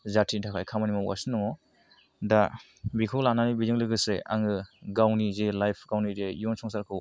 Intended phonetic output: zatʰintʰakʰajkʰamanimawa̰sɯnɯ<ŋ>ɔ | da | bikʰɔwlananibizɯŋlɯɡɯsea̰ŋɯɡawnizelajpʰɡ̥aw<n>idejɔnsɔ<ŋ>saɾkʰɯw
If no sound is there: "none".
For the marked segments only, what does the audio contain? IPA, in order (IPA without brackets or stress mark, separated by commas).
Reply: ŋ, n, ŋ